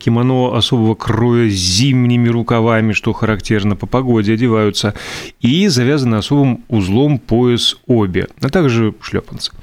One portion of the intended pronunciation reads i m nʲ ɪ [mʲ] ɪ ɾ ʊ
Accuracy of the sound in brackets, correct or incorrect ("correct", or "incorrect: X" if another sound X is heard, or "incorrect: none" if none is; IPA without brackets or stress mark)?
correct